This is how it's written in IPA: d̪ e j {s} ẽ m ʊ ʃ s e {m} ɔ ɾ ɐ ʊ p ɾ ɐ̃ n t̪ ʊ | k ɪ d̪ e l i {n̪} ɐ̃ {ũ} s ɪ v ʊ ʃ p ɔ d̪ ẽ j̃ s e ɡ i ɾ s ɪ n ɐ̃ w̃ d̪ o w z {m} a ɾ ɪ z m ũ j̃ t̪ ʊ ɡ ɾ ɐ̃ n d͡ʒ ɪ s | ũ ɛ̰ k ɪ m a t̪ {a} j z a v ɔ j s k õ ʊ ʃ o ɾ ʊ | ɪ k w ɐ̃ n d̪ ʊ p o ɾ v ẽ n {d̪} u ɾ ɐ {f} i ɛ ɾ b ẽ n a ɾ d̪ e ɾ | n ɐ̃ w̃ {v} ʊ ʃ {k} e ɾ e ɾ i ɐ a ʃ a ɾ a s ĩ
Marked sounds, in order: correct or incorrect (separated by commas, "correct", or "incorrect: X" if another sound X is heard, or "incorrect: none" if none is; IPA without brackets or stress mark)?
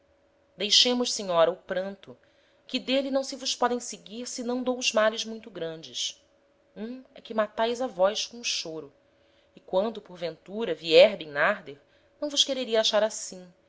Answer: incorrect: ʃ, incorrect: ɲ, correct, incorrect: w̃, correct, correct, incorrect: t̪, incorrect: v, correct, correct